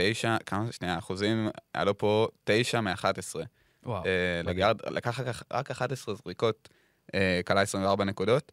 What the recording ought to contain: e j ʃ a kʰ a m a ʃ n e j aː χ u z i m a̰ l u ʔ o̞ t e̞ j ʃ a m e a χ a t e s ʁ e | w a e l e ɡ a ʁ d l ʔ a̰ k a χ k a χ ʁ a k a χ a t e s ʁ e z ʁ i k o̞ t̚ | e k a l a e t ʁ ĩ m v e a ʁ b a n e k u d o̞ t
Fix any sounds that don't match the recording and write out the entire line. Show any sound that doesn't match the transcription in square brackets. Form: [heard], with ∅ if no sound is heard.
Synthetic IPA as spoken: e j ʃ a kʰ a m a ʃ n e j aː χ u z i m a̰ l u [p] o̞ t e̞ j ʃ a m e a χ a t e s ʁ e | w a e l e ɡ a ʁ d l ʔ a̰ k a χ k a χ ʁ a k a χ a t e s ʁ e z ʁ i k o̞ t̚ | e k a l a e [s] ʁ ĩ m v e a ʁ b a n e k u d o̞ t